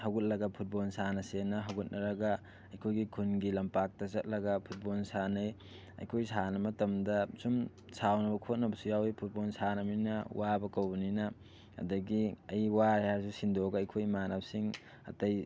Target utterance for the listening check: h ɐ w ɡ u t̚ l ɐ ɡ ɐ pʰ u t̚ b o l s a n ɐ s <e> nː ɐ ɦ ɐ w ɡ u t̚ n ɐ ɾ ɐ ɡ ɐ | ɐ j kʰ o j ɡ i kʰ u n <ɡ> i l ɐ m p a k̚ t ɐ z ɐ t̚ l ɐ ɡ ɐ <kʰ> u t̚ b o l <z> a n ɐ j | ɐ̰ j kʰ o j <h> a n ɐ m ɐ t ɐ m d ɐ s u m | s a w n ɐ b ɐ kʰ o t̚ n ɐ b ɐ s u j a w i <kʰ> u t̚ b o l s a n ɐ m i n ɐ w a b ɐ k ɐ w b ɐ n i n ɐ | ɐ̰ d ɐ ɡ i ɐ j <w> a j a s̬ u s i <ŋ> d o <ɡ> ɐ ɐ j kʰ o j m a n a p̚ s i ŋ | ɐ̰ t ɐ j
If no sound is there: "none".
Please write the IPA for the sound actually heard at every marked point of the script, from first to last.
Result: e, ɡ, pʰ, s, s, pʰ, w, n, ɡ

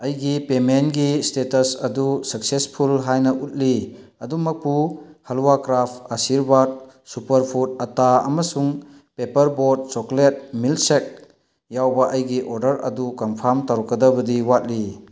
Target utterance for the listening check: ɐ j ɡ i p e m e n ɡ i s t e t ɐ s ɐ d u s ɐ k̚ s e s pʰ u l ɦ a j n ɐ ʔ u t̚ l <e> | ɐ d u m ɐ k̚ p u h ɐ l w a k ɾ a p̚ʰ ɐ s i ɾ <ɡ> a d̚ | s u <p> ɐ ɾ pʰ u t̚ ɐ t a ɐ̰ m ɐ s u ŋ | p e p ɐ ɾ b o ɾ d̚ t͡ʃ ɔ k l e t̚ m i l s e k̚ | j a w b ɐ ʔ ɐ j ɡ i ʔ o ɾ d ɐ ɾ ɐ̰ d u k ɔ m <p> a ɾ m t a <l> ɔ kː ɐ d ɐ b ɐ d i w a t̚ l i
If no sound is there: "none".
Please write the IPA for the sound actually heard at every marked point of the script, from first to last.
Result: i, b, p, pʰ, ɾ

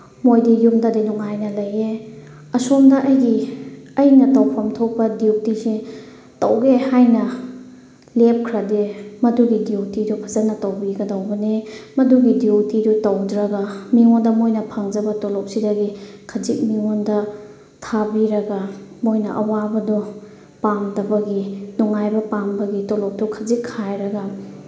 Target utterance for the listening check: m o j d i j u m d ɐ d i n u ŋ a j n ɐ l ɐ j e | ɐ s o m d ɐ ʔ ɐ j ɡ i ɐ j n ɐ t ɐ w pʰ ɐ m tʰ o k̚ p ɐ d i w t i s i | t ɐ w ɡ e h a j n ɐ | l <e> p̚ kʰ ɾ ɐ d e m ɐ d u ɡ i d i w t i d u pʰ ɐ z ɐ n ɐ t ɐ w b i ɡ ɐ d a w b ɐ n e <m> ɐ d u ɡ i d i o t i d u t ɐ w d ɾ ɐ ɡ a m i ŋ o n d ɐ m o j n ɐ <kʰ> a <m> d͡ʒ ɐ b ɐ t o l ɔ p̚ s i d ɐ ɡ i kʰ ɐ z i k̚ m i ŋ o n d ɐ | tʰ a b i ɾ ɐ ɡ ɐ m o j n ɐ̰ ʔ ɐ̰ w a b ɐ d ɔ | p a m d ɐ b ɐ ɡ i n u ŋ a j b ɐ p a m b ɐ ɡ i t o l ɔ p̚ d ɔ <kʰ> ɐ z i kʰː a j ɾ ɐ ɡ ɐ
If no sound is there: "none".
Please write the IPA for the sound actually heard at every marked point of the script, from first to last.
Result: e, m, pʰ, ŋ, kʰ

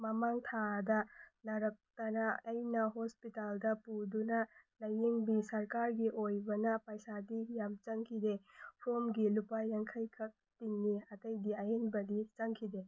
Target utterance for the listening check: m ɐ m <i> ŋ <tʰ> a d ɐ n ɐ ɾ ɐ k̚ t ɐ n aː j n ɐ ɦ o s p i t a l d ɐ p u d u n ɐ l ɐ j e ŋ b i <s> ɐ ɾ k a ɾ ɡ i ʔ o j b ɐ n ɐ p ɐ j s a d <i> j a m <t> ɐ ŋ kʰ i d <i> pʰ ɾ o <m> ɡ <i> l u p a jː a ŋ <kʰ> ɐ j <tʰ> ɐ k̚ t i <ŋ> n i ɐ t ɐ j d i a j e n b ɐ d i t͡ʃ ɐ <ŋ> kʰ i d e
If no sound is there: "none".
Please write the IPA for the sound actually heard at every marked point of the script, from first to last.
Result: a, tʰ, s, i, t͡ʃ, e, m, i, kʰ, kʰ, ŋ, ŋ

